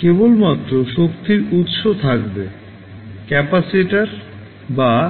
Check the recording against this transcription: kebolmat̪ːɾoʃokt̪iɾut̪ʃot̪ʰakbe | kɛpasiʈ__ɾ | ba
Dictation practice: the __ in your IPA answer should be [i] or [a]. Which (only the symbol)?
a